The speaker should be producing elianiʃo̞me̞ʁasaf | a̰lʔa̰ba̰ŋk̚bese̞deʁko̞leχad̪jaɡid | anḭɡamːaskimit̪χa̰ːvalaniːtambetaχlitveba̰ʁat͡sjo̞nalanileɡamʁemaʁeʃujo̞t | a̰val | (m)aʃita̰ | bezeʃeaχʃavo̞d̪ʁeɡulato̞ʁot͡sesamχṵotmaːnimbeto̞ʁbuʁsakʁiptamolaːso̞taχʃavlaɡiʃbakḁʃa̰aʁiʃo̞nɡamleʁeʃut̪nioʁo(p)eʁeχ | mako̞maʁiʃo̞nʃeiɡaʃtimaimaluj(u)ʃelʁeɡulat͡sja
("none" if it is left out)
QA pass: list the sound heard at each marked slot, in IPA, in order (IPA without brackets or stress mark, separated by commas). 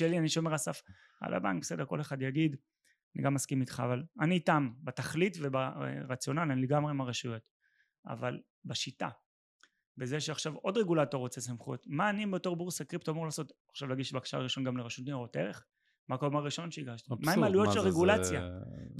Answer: b, t, o